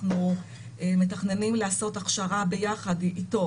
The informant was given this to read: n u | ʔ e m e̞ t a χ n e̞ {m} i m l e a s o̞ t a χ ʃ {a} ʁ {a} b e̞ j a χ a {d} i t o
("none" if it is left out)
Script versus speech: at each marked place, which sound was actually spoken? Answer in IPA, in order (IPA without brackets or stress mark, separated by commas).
n, a, a, d